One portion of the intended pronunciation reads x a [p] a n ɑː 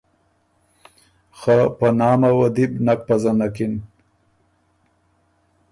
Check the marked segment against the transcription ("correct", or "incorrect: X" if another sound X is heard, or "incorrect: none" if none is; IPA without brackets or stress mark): correct